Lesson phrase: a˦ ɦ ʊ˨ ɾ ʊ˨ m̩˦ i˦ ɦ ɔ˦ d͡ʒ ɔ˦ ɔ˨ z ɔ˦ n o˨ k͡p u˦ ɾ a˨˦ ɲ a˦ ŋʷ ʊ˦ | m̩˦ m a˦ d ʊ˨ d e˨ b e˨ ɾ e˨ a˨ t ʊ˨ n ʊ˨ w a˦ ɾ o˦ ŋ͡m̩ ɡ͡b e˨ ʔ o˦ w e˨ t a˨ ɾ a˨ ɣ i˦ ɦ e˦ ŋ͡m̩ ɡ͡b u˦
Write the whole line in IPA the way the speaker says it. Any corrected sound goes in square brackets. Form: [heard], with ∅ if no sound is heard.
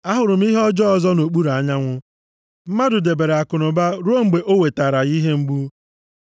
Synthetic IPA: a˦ ɦ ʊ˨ ɾ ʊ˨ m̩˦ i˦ ɦ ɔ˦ d͡ʒ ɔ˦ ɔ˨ z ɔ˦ n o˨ k͡p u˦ ɾ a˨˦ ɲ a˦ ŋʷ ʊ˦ | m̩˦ m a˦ d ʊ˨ d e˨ b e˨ ɾ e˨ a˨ [k] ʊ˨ n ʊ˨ [b] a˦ ɾ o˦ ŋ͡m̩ ɡ͡b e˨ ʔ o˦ w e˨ t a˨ ɾ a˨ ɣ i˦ ɦ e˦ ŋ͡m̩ ɡ͡b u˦

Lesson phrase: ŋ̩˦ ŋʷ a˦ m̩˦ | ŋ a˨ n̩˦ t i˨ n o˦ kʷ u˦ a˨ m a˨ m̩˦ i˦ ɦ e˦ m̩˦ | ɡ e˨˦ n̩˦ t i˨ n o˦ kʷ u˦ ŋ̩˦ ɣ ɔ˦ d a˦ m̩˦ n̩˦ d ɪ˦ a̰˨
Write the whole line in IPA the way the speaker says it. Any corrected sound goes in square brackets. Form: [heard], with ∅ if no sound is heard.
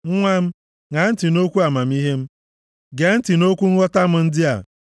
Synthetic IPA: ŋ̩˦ ŋʷ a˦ m̩˦ | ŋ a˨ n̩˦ t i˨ n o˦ kʷ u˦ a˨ m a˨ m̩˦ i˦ ɦ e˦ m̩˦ | ɡ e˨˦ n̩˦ t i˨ n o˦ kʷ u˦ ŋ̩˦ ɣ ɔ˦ [t] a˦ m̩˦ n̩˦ d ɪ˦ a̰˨

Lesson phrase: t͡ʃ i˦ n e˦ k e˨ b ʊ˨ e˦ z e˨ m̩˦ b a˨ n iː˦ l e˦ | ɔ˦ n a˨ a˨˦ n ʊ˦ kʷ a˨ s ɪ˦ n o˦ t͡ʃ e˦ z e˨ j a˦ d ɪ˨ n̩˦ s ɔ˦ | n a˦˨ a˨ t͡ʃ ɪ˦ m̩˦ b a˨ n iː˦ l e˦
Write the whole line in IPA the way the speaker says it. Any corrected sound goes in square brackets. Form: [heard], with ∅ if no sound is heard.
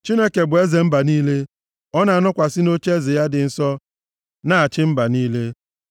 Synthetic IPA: t͡ʃ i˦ n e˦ k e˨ b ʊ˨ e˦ z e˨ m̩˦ b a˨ n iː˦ l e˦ | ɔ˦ n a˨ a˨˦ n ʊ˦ kʷ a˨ s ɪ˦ n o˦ t͡ʃ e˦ z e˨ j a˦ d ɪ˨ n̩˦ s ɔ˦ | n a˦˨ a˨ t͡ʃ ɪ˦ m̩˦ b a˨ n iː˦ l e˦

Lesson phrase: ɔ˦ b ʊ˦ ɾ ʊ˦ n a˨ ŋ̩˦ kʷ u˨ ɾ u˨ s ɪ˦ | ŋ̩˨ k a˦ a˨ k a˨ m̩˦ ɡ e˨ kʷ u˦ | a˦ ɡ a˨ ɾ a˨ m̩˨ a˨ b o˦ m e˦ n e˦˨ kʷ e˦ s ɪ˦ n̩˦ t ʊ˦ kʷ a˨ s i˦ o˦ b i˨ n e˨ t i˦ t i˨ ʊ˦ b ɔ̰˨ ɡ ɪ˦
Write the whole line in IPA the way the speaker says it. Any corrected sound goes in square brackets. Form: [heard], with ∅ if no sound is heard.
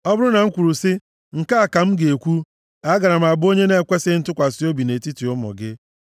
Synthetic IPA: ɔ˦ b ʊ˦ ɾ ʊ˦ n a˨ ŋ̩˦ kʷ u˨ ɾ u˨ s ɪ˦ | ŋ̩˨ k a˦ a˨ k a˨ m̩˦ ɡ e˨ kʷ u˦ | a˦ ɡ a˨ ɾ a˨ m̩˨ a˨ b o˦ [ɲ] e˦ n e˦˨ kʷ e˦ s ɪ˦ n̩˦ t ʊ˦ kʷ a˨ s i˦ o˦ b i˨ n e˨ t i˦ t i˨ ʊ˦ [m] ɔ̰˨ ɡ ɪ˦

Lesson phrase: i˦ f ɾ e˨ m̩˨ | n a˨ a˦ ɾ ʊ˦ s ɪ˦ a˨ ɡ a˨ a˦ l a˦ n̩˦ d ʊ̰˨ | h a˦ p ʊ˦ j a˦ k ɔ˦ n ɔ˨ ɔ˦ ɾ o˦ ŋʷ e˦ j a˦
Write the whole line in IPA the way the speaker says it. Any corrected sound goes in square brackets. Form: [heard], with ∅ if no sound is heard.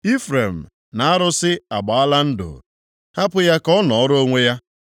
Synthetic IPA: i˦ f ɾ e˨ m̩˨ | n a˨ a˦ ɾ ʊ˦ s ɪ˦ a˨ [ɡ͡b] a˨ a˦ l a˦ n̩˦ d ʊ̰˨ | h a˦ p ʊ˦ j a˦ k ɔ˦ n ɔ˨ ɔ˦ ɾ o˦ ŋʷ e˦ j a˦

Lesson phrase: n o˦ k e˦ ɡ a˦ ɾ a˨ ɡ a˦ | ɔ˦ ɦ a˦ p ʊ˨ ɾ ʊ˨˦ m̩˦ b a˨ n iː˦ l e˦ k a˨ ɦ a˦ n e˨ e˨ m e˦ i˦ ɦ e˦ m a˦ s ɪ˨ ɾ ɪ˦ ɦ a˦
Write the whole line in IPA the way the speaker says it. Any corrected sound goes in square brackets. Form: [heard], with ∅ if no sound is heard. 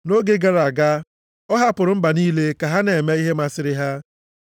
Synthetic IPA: n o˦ [ɡ] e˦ ɡ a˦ ɾ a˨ ɡ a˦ | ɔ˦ ɦ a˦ p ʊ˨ ɾ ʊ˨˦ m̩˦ b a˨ n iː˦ l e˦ k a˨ ɦ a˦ n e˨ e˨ m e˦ i˦ ɦ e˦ m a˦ s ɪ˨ ɾ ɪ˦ ɦ a˦

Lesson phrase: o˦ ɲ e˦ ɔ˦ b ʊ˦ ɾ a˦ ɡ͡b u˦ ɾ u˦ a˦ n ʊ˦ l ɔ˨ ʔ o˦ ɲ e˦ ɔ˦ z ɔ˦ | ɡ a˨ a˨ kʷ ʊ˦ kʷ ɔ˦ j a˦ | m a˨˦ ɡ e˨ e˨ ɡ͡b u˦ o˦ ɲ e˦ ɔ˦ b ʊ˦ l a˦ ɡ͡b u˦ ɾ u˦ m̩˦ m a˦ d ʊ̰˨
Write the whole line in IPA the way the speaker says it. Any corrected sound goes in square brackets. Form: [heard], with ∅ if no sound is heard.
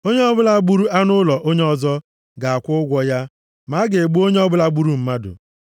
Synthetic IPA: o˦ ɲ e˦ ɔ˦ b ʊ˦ [l] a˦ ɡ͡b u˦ ɾ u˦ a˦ n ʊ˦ l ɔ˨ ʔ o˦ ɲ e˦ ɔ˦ z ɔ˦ | ɡ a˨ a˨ kʷ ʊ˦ [ɡʷ] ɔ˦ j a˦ | m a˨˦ ɡ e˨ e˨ ɡ͡b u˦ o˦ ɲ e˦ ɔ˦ b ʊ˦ l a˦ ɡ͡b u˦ ɾ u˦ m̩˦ m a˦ d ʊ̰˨

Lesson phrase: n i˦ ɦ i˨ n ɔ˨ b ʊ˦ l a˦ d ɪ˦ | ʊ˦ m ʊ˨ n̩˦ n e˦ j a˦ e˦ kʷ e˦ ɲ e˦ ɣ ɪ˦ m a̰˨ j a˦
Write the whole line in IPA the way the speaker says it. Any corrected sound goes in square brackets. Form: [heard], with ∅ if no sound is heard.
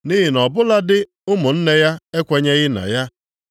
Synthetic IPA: n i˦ ɦ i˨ n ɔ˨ b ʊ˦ l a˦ d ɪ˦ | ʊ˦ m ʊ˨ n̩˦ n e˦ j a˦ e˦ kʷ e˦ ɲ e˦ ɣ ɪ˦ [n] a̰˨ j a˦

